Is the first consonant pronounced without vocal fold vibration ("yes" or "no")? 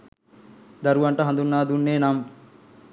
no